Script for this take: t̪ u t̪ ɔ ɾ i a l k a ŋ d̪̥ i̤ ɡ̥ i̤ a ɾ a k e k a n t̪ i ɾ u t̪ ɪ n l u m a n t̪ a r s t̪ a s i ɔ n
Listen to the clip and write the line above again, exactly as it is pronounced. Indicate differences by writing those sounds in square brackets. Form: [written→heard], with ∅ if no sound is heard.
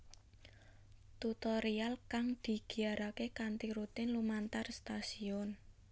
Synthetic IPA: t̪ u t̪ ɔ ɾ i a l k a ŋ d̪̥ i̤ ɡ̥ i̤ a ɾ a k e k a n t̪ i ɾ u t̪ ɪ n l u m a n t̪ a r s t̪ a s i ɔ n